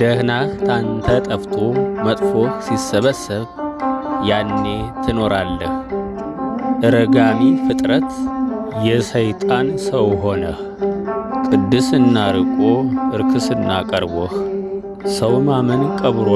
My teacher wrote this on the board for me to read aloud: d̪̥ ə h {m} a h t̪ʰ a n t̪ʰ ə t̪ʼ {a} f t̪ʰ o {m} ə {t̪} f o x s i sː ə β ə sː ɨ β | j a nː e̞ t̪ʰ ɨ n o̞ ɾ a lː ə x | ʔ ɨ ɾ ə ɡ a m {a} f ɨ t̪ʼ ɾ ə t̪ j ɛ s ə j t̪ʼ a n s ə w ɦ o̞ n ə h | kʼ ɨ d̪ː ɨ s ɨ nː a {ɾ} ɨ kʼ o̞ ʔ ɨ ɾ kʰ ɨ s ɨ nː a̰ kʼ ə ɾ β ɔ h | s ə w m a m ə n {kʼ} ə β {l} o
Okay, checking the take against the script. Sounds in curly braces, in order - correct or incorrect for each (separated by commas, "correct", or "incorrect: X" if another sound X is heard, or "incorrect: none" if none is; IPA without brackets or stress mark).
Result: incorrect: n, incorrect: ə, correct, incorrect: t̪ʼ, incorrect: i, correct, correct, incorrect: ɾ